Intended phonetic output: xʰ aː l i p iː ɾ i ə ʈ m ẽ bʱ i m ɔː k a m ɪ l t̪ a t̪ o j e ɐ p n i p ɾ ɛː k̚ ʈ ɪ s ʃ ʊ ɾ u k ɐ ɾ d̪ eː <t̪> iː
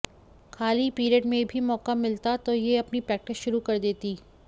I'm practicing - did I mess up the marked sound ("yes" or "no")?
no